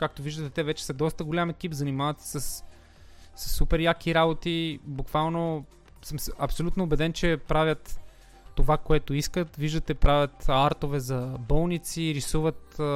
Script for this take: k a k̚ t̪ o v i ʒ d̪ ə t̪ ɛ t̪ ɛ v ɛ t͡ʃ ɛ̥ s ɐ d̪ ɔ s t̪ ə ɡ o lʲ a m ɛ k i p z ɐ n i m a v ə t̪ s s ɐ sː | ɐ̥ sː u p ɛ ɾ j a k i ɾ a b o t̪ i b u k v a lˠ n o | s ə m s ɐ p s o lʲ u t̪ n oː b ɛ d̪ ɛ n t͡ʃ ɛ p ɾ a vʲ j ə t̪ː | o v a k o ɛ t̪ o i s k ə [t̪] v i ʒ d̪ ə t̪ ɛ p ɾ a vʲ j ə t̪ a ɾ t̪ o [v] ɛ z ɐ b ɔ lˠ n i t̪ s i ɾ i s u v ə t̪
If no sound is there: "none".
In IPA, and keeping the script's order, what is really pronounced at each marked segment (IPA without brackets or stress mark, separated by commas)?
t̪, v